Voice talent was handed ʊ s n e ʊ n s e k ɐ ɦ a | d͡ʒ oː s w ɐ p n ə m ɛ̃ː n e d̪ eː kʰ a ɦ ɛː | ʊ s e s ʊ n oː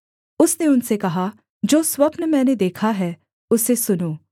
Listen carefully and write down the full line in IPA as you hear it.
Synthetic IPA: ʊ s n e ʊ n s e k ɐ ɦ a | d͡ʒ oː s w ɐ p n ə m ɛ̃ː n e d̪ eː kʰ a ɦ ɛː | ʊ s e s ʊ n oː